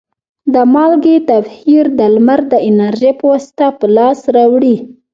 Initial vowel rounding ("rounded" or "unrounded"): unrounded